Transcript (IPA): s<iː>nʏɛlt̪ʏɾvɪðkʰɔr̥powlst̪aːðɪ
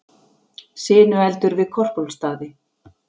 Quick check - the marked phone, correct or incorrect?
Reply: incorrect: ɪː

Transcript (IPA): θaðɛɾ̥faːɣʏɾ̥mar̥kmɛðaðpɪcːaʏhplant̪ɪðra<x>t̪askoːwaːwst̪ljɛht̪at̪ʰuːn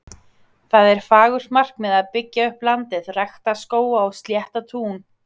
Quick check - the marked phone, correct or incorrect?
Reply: correct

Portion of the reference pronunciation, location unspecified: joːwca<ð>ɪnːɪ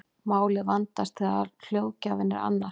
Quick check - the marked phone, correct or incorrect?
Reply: incorrect: v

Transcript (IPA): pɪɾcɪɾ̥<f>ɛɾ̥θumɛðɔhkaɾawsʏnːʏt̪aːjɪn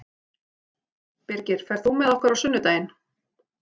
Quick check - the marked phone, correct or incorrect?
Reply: correct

